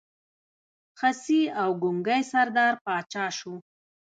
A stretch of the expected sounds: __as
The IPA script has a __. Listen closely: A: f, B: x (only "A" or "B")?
B